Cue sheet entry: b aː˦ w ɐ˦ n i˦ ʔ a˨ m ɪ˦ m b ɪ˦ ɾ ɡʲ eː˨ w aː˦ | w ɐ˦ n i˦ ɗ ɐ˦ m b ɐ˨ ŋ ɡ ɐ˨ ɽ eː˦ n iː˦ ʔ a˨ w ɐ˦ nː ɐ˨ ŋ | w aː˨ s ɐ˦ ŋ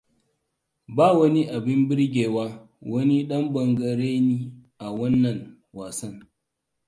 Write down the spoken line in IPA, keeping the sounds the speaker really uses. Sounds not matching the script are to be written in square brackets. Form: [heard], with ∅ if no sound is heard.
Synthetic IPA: b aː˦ w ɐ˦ n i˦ ʔ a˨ [b] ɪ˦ m b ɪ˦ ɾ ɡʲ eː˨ w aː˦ | w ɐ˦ n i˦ ɗ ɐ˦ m b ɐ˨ ŋ ɡ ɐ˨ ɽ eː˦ n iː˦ ʔ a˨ w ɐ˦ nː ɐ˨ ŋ | w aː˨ s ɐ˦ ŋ

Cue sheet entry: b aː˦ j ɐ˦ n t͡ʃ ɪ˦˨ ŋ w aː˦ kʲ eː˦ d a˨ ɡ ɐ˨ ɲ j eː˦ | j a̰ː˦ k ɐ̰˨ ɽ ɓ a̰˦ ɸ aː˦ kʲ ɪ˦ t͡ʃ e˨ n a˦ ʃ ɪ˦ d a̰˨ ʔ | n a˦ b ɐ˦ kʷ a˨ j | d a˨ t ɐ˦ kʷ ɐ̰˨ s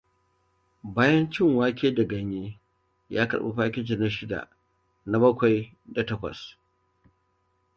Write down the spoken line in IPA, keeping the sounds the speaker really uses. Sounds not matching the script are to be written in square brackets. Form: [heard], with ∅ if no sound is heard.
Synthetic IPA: b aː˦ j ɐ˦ n t͡ʃ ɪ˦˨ ŋ w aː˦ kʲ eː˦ d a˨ ɡ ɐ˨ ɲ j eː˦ | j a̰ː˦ k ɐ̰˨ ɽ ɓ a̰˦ ɸ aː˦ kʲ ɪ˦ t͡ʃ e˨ n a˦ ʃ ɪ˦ d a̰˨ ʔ | n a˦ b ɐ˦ kʷ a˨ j | d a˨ t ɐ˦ kʷ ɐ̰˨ s

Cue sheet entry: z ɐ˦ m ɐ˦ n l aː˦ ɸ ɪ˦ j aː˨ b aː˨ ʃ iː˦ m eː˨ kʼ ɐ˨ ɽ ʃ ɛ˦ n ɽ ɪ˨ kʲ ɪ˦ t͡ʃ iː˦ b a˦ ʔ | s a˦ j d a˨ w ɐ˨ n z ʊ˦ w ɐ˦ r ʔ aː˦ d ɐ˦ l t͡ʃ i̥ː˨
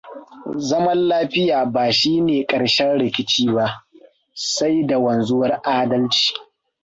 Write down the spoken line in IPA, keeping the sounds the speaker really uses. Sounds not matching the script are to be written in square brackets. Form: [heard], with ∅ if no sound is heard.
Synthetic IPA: z ɐ˦ m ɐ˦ n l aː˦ ɸ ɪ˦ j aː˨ b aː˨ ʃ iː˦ [n] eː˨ kʼ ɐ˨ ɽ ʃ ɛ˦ n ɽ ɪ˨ kʲ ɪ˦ t͡ʃ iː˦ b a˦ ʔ | s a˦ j d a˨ w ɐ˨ n z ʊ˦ w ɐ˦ r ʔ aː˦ d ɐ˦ l t͡ʃ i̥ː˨

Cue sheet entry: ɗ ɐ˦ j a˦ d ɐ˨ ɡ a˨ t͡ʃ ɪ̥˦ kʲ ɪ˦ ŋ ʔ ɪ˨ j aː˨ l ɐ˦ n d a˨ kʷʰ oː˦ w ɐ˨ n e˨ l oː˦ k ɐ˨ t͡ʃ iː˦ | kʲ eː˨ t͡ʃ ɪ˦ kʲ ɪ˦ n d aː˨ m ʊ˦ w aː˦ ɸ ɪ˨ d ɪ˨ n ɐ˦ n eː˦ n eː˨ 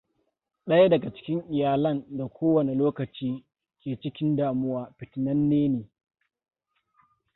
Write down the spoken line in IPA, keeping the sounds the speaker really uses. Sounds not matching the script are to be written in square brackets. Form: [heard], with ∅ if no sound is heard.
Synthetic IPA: ɗ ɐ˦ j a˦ d ɐ˨ ɡ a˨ t͡ʃ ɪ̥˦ kʲ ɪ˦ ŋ ʔ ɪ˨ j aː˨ l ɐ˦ n d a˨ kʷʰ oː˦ w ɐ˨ n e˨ l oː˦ k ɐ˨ t͡ʃ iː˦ | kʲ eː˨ t͡ʃ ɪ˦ kʲ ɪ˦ n d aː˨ m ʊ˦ w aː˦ ɸ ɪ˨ [t] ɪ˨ n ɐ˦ [nː] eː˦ n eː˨

